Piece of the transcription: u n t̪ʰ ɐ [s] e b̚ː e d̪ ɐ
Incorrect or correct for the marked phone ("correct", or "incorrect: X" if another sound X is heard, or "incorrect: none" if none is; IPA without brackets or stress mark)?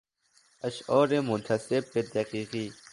correct